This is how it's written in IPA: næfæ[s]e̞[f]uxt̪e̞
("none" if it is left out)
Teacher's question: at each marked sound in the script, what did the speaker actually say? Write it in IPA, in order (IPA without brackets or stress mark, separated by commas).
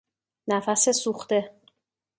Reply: s, s